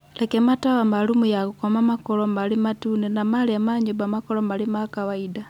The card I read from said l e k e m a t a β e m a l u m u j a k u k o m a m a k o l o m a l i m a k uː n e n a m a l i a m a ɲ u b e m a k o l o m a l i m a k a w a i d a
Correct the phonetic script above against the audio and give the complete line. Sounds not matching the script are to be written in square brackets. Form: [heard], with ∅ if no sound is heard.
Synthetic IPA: l e k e m a t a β [a] m a l u m u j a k u k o m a m a k o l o m a l i m a [t] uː n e n a m a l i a m a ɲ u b [a] m a k o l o m a l i m a k a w a i d a